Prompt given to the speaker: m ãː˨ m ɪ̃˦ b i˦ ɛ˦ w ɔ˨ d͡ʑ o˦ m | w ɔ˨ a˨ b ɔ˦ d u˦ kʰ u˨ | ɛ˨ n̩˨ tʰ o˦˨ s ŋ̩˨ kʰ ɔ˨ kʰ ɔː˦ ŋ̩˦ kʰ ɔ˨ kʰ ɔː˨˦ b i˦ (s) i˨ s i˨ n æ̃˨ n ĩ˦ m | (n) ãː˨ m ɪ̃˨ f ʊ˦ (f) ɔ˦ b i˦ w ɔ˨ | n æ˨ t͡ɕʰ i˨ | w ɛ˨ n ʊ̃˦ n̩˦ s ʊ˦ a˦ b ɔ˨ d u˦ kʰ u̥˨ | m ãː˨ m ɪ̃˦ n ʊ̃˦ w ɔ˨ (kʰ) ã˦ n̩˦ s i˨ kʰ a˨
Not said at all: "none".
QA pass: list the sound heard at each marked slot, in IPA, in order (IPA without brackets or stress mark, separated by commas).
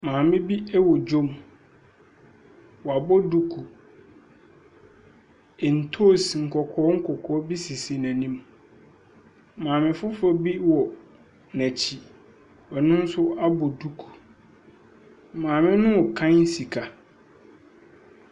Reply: s, m, f, kʰ